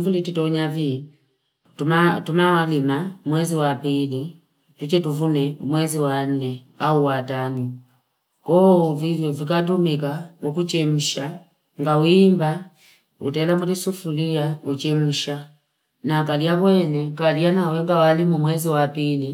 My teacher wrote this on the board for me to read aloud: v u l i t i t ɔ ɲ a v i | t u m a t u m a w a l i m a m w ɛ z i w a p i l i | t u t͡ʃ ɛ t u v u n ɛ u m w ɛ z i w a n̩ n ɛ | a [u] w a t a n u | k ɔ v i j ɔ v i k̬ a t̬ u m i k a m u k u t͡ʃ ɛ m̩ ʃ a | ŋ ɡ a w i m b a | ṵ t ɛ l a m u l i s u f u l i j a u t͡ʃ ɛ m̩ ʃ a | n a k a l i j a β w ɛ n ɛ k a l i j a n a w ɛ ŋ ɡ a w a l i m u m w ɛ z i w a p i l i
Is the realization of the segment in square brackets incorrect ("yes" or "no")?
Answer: no